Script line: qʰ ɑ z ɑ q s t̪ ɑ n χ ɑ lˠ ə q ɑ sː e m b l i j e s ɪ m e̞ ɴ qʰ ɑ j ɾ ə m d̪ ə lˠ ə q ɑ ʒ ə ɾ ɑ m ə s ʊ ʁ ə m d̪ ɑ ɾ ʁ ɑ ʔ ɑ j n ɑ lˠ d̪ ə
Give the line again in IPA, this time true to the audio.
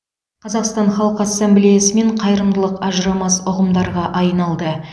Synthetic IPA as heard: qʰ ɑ z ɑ q s t̪ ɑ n χ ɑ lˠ ə q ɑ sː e m b l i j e s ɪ m e̞ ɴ qʰ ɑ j ɾ ə m d̪ ə lˠ ə q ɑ ʒ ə ɾ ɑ m ɑ s ʊ ʁ ə m d̪ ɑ ɾ ʁ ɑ ʔ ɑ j n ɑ lˠ d̪ ə

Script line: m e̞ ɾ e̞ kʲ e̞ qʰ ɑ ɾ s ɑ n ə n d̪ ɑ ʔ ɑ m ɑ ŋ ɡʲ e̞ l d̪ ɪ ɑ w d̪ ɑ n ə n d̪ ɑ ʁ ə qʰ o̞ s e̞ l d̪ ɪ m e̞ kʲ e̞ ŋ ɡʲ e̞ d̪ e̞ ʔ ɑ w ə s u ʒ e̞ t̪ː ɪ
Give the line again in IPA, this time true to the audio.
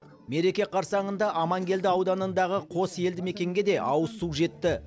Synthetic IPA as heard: m e̞ ɾ e̞ kʲ e̞ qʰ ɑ ɾ s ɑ ɴ ə n d̪ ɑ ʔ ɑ m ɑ ŋ ɡʲ e̞ l d̪ ɪ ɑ w d̪ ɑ n ə n d̪ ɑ ʁ ə qʰ o̞ s e̞ l d̪ ɪ m e̞ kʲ e̞ ŋ ɡʲ e̞ d̪ e̞ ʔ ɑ w ə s u ʒ e̞ t̪ː ɪ

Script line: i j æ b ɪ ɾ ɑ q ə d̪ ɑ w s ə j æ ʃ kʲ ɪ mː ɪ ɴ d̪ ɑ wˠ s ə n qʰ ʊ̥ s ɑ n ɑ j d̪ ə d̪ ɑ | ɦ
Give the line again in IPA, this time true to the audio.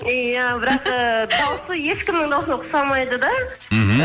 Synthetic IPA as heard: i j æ b ɪ ɾ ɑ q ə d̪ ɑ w s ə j e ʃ kʲ ɪ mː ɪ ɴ d̪ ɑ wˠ s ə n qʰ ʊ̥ s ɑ m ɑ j d̪ ə d̪ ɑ | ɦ

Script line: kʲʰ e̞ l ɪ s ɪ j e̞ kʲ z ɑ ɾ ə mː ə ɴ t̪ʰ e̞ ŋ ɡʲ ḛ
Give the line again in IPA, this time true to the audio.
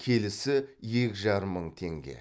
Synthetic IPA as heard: kʲʰ e̞ l ɪ s ɪ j e̞ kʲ ʒ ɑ ɾ ə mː ə ɴ t̪ʰ e̞ ŋ ɡʲ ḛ

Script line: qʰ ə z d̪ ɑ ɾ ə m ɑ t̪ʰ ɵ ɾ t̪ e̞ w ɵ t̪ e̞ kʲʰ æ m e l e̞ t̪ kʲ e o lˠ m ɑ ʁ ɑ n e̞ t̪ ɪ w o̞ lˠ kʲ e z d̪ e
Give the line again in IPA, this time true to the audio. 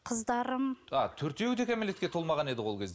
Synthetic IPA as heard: qʰ ə z d̪ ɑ ɾ ə m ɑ t̪ʰ ɵ ɾ t̪ e̞ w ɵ t̪ e̞ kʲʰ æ m e l e̞ t̪ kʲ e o lˠ m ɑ ʁ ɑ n e̞ d̪ ɪ w o̞ lˠ kʲ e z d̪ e

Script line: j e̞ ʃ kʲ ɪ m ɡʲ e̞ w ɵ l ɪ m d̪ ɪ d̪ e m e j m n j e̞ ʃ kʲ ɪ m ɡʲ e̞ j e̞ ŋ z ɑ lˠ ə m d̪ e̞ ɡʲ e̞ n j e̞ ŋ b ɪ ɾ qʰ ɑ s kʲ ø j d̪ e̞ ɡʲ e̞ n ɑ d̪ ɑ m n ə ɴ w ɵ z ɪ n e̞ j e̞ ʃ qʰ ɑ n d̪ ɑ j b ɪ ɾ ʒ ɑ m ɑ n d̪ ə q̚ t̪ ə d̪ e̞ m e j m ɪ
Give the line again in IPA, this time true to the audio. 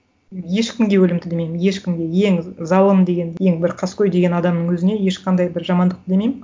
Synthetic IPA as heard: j e̞ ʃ kʲ ɪ m ɡʲ e̞ w ɵ l ɪ m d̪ ɪ d̪ e m e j m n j e̞ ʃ kʲ ɪ m ɡʲ e̞ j e̞ ŋ z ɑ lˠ ə m d̪ e̞ ɡʲ e̞ n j e̞ ŋ b ɪ ɾ qʰ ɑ s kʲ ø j d̪ e̞ ɡʲ e̞ n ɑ d̪ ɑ m n ə ɴ w ɵ z ɪ n e̞ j e̞ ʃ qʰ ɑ n d̪ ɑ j b ɪ ɾ ʒ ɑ m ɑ n d̪ ə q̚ t̪ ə d̪ e̞ m e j m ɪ

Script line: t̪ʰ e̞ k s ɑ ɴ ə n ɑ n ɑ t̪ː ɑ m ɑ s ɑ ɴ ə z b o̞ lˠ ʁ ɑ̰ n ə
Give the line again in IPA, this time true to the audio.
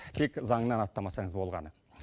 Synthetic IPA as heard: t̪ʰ e̞ k z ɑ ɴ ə n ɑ n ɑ t̪ː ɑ m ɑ s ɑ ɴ ə z b o̞ lˠ ʁ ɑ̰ n ə

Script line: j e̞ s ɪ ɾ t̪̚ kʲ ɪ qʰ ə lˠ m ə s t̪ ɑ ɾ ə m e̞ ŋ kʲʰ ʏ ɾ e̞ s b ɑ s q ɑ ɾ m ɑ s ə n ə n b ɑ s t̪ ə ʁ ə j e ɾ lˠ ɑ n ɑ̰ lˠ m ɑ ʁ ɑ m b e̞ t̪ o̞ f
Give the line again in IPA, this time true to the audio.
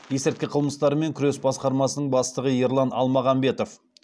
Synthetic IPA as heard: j e̞ s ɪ ɾ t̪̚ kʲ ɪ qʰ ə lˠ m ə s t̪ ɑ ɾ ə m e̞ ŋ kʲʰ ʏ ɾ e̞ s b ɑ s q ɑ ɾ m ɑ s ə n ə ɴ b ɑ s t̪ ə ʁ ə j e ɾ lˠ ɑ n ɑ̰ lˠ m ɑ ʁ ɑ m b e̞ t̪ o̞ f

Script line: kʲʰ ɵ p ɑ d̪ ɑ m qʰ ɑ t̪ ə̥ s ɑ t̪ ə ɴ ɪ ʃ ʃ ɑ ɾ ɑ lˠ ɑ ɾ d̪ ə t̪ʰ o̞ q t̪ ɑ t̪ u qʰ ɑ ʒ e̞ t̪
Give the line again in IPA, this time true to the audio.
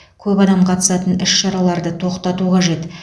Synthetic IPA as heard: kʲʰ ɵ p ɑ d̪ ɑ m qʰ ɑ t̪ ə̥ s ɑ t̪ ə n ɪ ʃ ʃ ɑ ɾ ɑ lˠ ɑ ɾ d̪ ə t̪ʰ o̞ q t̪ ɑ t̪ u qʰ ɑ ʒ e̞ t̪

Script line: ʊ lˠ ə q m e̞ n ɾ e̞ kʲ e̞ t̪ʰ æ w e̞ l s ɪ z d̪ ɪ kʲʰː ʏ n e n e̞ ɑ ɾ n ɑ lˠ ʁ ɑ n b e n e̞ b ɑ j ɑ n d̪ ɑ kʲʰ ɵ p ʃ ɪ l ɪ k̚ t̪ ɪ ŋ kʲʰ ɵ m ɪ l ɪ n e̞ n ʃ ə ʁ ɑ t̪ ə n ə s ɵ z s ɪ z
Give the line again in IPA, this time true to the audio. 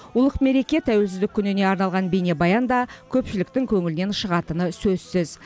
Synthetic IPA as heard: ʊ lˠ ə q m e̞ ɾ e̞ kʲ e̞ t̪ʰ æ w e̞ l s ɪ z d̪ ɪ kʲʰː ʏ n e n e̞ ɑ ɾ n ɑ lˠ ʁ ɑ n b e n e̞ b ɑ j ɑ n d̪ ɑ kʲʰ ɵ p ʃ ɪ l ɪ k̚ t̪ ɪ ŋ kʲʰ ɵ ŋ ɪ l ɪ n e̞ n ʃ ə ʁ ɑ t̪ ə n ə s ɵ z s ɪ z

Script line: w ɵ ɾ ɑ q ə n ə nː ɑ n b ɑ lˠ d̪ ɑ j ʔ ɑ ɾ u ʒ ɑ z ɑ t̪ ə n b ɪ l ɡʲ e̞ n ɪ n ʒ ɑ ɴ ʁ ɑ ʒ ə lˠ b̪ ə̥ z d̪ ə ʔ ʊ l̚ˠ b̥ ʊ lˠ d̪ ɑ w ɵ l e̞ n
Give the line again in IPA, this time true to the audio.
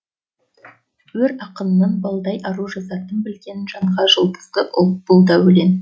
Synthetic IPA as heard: w ɵ ɾ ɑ q ə n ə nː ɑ n b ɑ lˠ d̪ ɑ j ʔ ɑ ɾ u ʒ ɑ z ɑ t̪ ə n b ɪ l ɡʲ e̞ n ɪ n ʒ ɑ ɴ ʁ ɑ ʒ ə lˠ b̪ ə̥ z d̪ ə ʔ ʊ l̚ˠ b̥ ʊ lˠ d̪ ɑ w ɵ l e̞ n

